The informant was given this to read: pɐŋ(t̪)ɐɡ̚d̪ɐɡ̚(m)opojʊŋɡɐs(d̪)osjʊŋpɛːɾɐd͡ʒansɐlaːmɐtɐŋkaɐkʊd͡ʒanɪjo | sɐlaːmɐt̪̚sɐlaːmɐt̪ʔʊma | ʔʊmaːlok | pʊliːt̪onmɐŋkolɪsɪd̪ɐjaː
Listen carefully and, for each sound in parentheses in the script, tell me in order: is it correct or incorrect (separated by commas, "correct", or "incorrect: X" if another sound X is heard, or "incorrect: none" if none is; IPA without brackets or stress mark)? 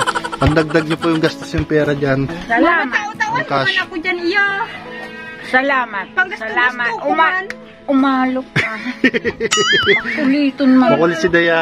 incorrect: d̪, incorrect: ɲ, incorrect: t̪